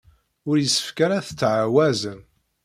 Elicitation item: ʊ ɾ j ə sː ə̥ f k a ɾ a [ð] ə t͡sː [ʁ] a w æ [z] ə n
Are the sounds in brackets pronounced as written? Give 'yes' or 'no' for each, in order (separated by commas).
no, no, yes